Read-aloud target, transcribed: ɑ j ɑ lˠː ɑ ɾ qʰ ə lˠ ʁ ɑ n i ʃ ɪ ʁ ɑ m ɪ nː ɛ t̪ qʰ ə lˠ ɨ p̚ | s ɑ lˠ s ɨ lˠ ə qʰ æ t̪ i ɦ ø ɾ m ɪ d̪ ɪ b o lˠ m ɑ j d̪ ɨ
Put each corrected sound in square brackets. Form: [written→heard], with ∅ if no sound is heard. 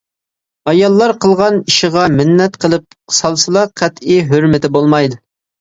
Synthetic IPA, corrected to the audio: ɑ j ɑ lˠː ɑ ɾ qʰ ə lˠ ʁ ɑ n i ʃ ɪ ʁ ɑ m ɪ nː ɛ t̪ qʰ ə lˠ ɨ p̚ | s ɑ lˠ s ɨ lˠ [ə→ɑ] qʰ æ t̪ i ɦ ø ɾ m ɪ [d̪→t̪] ɪ b o lˠ m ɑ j d̪ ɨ